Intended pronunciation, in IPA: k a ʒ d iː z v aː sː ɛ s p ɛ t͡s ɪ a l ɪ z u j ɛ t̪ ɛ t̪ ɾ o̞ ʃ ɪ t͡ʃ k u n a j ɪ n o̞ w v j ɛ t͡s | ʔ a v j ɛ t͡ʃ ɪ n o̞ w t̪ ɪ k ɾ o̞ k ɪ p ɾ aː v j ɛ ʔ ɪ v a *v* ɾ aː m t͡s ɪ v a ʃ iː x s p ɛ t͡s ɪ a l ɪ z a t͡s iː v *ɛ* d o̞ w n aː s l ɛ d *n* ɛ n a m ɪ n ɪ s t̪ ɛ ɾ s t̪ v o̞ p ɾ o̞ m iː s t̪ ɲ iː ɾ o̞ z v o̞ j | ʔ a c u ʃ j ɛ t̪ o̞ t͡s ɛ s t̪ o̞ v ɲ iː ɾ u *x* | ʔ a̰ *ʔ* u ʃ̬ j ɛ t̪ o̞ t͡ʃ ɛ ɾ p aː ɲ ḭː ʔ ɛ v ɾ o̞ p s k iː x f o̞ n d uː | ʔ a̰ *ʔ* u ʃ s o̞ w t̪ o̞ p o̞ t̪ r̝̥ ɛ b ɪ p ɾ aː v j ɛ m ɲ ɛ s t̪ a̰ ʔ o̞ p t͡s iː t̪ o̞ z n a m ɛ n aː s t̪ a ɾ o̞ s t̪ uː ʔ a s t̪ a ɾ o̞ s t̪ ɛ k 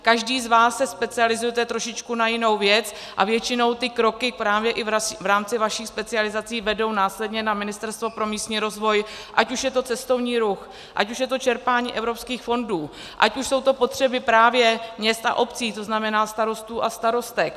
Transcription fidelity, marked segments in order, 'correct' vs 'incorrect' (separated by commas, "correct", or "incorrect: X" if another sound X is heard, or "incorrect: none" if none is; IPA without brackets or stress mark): correct, correct, incorrect: ɲ, correct, incorrect: c, incorrect: c